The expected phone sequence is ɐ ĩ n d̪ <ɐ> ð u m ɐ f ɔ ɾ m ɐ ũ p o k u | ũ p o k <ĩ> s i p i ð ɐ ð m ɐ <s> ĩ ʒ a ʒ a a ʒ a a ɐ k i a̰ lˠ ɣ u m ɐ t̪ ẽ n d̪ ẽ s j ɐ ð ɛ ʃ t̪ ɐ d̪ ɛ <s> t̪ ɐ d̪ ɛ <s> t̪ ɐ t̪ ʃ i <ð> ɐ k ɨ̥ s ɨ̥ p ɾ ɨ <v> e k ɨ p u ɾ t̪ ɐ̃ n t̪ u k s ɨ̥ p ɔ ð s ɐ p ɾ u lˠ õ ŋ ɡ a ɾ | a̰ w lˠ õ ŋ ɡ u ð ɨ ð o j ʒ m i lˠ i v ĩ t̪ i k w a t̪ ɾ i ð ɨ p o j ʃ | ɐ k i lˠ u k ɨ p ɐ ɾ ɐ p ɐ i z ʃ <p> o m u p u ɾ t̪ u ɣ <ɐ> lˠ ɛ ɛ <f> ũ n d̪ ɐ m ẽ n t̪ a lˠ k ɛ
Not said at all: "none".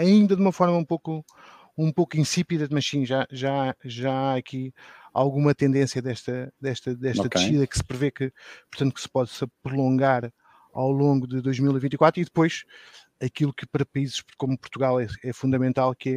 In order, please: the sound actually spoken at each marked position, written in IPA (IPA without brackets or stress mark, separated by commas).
ɐ, ĩ, ʃ, ʃ, ʃ, ð, v, k, a, f